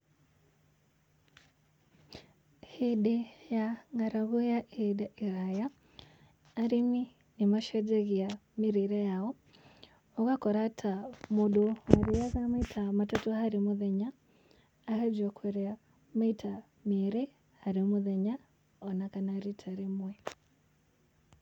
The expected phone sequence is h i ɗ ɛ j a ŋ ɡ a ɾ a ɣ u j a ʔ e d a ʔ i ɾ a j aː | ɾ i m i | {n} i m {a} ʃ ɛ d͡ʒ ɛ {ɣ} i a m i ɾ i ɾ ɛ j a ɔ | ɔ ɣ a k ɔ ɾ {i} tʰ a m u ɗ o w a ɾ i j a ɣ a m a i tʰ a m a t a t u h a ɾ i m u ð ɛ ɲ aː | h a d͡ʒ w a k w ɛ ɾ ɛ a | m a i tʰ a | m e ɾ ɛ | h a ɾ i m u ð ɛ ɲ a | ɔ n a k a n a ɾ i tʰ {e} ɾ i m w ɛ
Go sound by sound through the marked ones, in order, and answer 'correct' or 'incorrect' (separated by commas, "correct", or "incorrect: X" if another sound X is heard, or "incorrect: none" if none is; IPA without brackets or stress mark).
correct, correct, correct, incorrect: a, incorrect: a